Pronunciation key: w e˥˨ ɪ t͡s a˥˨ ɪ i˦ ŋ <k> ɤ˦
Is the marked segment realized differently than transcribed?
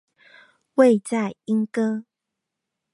no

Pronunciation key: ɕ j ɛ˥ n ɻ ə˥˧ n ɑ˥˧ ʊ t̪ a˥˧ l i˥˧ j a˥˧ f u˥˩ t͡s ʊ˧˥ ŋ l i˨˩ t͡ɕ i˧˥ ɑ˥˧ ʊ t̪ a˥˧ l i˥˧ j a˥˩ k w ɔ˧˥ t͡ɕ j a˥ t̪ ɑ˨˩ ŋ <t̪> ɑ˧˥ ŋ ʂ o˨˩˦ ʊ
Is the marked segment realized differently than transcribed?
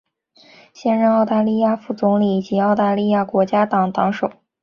no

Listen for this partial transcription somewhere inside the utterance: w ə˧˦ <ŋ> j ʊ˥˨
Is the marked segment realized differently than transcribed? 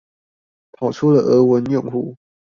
yes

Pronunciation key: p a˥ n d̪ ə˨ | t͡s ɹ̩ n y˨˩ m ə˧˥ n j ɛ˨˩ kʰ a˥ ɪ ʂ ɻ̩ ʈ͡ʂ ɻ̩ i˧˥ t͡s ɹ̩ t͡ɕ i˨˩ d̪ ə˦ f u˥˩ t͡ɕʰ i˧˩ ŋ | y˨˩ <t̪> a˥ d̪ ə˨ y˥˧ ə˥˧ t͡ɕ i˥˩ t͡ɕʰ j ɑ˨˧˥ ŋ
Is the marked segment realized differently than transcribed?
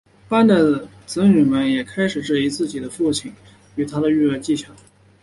yes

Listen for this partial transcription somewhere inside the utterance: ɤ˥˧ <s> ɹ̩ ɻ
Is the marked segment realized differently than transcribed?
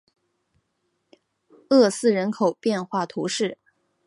no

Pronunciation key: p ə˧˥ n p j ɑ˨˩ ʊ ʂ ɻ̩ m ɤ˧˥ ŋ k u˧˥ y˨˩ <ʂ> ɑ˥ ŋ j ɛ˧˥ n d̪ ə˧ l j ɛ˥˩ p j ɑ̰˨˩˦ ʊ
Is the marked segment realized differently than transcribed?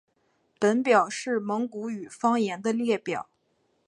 yes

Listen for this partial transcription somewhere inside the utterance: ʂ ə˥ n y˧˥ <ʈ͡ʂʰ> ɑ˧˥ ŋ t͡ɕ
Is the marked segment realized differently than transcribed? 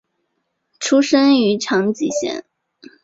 no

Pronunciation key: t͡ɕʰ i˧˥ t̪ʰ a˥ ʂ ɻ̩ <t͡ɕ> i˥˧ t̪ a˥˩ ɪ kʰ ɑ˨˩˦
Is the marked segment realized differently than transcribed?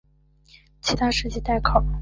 no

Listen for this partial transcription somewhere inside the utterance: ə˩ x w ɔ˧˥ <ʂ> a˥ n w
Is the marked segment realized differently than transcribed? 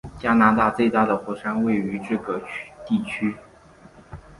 no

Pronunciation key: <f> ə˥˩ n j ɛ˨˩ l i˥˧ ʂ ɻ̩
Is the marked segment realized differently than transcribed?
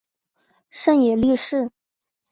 yes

